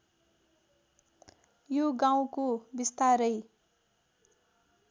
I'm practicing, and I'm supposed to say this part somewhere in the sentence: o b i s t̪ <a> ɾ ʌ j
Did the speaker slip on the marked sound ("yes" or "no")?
no